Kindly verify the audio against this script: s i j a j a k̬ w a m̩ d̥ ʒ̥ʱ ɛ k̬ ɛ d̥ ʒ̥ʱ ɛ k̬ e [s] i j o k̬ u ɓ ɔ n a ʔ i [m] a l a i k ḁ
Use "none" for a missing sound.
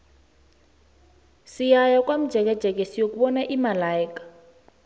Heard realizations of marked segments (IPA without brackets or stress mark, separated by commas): s, m